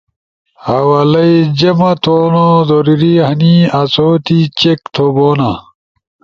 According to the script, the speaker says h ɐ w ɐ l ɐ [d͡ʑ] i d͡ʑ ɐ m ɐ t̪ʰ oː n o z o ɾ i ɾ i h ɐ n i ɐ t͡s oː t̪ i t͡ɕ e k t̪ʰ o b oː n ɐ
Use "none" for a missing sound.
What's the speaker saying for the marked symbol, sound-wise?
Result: none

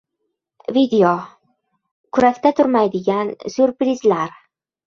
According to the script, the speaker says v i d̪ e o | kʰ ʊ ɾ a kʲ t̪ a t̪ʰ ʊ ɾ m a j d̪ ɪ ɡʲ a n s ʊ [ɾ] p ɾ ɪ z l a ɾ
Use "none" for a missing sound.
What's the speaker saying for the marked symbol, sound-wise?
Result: ɾ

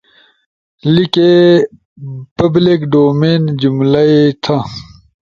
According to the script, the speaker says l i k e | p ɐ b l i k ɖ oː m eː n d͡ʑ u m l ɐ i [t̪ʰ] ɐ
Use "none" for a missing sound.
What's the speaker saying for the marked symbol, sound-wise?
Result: t̪ʰ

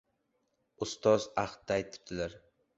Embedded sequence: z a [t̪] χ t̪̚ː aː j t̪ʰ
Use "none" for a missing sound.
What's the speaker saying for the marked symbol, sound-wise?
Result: none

